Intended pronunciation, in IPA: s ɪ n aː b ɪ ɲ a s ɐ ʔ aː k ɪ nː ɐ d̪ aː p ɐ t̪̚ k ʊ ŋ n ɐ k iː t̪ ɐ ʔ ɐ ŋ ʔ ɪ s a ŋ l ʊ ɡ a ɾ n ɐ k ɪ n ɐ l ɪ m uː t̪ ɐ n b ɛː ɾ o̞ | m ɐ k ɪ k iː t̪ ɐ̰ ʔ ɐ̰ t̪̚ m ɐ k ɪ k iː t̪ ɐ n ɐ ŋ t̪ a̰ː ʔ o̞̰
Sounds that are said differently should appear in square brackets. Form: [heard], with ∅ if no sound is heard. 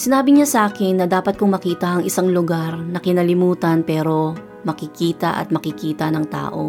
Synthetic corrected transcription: s ɪ n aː b ɪ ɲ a s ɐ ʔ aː k ɪ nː ɐ d̪ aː p ɐ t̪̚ k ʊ ŋ [m] ɐ k iː t̪ ɐ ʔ ɐ ŋ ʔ ɪ s a ŋ l ʊ ɡ a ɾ n ɐ k ɪ n ɐ l ɪ m uː t̪ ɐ n [p] ɛː ɾ o̞ | m ɐ k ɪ k iː t̪ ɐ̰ ʔ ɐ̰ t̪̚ m ɐ k ɪ k iː t̪ ɐ n ɐ ŋ t̪ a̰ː ʔ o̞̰